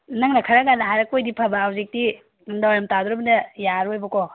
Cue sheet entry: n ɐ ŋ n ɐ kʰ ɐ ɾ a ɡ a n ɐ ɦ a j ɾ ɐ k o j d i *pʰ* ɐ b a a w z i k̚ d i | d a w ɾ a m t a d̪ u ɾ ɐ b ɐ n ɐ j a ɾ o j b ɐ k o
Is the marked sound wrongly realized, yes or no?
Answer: no